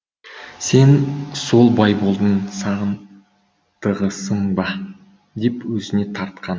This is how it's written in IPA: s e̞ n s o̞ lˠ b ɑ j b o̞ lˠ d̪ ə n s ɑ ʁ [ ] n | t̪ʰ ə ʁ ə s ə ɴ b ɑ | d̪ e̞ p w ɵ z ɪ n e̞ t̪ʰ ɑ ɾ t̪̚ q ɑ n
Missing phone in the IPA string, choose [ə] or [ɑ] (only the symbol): ə